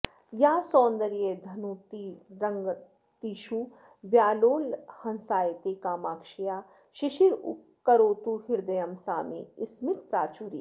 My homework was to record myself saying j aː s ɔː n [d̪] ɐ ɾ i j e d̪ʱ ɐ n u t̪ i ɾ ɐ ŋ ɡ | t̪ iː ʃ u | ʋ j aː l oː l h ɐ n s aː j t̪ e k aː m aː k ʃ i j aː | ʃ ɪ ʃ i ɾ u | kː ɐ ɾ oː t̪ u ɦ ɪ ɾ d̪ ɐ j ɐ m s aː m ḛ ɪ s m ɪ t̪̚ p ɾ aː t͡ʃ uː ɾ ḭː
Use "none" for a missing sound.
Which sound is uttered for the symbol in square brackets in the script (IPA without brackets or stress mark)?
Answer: d̪